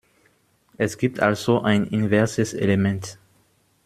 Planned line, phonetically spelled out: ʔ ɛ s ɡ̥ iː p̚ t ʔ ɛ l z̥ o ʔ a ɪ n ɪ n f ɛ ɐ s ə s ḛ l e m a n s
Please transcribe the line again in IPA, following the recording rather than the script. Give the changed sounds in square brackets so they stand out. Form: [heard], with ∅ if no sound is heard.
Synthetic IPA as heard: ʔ ɛ s ɡ̥ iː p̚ t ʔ [a] l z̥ o ʔ a ɪ n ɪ n [v] ɛ ɐ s ə s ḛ l e m [ɛ] n [t]